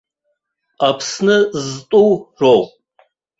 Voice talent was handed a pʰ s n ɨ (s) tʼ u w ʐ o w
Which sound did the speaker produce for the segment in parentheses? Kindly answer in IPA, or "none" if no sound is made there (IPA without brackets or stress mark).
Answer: z